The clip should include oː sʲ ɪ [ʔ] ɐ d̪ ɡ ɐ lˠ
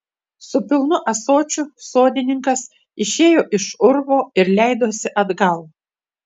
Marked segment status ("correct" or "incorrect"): correct